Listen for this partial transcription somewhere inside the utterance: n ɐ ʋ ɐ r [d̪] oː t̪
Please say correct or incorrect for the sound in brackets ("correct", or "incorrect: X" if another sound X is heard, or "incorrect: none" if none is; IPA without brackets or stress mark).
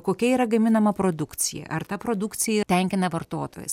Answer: incorrect: t̪